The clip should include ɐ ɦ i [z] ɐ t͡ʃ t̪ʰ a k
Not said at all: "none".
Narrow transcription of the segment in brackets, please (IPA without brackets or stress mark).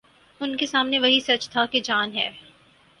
s